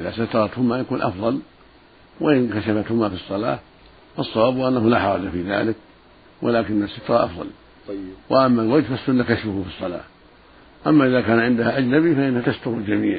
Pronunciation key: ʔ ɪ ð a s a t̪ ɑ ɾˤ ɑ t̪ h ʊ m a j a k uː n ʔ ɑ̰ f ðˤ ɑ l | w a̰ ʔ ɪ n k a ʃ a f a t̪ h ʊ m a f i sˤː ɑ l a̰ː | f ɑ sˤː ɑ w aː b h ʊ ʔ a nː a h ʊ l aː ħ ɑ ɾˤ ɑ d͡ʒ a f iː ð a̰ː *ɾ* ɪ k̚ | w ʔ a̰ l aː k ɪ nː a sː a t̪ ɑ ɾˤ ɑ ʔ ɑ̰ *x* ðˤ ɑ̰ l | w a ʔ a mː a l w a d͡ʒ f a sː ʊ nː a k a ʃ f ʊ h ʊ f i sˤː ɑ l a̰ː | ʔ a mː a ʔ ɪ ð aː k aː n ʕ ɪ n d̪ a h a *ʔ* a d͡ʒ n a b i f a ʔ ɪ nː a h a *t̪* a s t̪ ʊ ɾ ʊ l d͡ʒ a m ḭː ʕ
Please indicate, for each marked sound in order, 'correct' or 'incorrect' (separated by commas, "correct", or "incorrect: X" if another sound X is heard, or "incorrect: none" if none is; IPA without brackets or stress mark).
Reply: incorrect: l, incorrect: f, correct, correct